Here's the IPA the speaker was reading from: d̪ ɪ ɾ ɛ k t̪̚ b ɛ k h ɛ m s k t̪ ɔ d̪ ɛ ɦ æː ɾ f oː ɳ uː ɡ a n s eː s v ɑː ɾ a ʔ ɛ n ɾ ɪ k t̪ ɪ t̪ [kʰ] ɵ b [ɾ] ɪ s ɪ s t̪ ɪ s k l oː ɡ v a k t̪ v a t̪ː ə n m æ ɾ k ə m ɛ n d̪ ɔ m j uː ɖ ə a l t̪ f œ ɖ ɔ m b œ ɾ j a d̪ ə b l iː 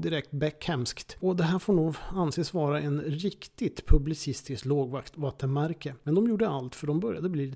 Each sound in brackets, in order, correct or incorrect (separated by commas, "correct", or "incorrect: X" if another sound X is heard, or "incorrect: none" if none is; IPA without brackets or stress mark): incorrect: pʰ, incorrect: l